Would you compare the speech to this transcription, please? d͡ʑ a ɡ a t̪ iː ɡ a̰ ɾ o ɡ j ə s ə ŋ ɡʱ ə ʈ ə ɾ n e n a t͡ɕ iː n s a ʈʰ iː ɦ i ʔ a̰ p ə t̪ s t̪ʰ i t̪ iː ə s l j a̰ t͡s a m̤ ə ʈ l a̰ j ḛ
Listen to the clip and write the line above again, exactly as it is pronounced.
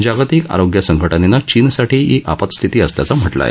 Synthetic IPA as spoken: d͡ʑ a ɡ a t̪ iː k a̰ ɾ o ɡ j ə s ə ŋ ɡʱ ə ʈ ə n e n a t͡ɕ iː n s a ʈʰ iː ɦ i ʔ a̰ p ə t̪ s t̪ʰ i t̪ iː ə s l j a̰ t͡s a m̤ ə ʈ l a̰ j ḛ